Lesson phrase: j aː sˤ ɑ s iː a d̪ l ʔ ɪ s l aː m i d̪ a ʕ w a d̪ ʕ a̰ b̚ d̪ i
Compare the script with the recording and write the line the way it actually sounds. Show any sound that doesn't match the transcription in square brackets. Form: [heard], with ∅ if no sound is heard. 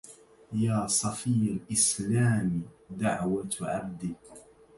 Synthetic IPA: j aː sˤ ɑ [f] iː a [∅] l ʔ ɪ s l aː m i d̪ a ʕ w a [t̪] ʕ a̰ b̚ d̪ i